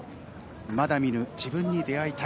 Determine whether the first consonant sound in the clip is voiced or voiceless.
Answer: voiced